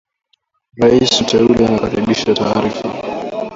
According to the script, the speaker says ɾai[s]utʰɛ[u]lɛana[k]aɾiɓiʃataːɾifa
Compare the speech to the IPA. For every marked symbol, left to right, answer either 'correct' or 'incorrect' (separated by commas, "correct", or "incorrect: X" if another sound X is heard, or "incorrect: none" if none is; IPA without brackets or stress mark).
correct, correct, correct